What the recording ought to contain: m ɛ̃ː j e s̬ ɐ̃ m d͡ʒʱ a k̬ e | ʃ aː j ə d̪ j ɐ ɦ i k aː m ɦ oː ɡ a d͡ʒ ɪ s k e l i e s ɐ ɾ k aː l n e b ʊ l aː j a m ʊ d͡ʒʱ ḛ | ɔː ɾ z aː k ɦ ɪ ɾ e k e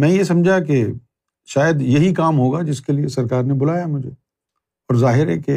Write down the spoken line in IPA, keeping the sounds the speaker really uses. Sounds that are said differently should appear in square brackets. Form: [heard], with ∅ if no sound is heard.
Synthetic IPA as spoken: m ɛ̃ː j e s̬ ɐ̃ m d͡ʒʱ a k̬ e | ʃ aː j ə d̪ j ɐ ɦ i k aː m ɦ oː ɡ a d͡ʒ ɪ s k e l i e s ɐ ɾ k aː [ɾ] n e b ʊ l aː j a m ʊ d͡ʒʱ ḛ | ɔː ɾ z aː [∅] ɦ ɪ ɾ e k e